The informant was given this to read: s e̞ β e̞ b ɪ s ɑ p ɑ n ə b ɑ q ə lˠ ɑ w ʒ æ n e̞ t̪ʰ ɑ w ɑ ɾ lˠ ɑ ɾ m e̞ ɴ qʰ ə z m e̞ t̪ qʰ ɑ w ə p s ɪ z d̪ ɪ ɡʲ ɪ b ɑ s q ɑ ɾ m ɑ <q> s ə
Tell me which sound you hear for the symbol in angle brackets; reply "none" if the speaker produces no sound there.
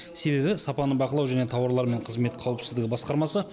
none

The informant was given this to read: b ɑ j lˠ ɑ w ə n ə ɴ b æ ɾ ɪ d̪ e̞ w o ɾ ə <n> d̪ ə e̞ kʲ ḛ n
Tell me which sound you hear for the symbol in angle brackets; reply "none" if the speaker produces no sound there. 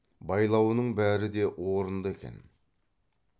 n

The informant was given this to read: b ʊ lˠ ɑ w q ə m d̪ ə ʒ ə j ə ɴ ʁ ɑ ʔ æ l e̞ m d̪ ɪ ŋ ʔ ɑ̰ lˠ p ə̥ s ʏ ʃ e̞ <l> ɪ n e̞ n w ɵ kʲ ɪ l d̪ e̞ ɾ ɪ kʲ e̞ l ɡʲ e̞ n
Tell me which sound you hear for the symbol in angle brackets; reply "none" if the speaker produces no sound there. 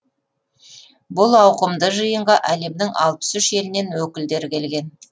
l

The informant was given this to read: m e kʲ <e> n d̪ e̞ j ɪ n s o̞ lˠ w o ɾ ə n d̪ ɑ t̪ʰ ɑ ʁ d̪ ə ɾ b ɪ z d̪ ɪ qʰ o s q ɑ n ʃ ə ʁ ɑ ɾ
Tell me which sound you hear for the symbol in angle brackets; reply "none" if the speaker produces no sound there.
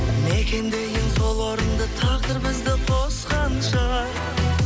e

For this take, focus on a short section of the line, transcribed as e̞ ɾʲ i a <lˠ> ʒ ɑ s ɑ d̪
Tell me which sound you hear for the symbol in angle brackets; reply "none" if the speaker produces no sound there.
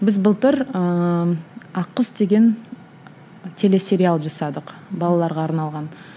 lˠ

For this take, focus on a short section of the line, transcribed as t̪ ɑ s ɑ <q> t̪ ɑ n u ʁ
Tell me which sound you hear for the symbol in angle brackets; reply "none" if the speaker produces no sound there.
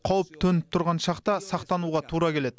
q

